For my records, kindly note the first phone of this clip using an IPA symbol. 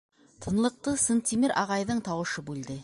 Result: t̪ʰ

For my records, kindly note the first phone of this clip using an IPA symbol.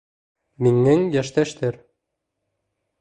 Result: m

